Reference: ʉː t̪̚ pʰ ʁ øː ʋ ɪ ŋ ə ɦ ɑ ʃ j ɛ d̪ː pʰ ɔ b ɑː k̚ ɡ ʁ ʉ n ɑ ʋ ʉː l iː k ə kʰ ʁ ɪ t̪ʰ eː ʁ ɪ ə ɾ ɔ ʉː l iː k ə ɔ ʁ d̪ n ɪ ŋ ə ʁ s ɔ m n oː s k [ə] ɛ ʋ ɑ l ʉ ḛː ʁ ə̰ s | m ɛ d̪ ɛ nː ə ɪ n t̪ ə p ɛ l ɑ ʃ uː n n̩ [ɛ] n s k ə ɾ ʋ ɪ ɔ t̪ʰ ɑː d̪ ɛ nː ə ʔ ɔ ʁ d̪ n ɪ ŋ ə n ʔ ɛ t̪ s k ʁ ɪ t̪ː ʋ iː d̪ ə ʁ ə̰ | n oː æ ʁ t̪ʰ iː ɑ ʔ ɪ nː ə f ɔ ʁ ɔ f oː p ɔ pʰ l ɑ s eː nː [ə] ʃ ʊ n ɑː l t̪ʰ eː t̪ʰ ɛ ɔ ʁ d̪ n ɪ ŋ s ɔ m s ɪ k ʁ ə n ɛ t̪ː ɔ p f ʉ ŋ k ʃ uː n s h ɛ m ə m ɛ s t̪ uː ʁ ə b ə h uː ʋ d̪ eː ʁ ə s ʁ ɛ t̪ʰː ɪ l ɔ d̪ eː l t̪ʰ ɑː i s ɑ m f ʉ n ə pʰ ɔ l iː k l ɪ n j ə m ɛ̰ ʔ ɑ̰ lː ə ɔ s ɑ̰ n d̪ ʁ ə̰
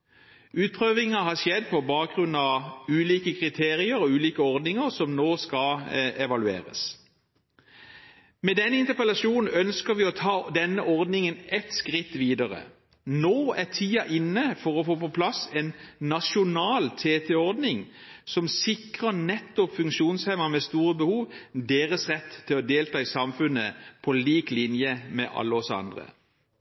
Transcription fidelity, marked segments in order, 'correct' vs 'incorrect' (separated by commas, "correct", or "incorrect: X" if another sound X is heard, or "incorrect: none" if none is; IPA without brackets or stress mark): incorrect: ɑ, incorrect: œ, incorrect: ɑ